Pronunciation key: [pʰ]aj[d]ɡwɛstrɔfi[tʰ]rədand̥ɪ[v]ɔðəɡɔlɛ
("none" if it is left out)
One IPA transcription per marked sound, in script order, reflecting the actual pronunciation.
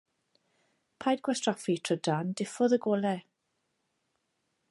pʰ, d, tʰ, f

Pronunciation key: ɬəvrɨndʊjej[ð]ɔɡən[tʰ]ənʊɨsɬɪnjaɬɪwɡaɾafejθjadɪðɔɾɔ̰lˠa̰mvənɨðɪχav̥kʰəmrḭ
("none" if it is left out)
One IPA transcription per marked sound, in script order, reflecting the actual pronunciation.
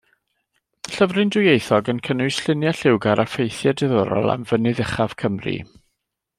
θ, kʰ

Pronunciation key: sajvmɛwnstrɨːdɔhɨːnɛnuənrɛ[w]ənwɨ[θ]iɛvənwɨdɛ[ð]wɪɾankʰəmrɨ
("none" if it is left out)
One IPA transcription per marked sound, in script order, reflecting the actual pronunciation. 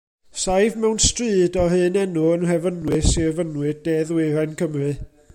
v, s, ð

